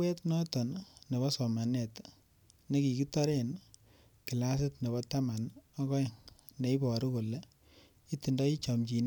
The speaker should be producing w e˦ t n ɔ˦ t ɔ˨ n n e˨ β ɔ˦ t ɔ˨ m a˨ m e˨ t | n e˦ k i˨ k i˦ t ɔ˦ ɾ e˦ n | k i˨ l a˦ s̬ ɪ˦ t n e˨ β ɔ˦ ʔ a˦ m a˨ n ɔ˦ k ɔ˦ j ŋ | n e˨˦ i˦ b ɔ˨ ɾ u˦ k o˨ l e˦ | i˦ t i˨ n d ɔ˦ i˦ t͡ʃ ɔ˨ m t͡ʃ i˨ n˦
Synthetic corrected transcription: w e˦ t n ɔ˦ t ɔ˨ n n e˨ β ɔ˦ s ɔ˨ m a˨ n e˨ t | n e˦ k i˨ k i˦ t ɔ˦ ɾ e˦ n | k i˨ l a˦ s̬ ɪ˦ t n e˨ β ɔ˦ t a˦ m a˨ n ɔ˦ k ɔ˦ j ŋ | n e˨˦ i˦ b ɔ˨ ɾ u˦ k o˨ l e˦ | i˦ t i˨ n d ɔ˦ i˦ t͡ʃ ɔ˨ m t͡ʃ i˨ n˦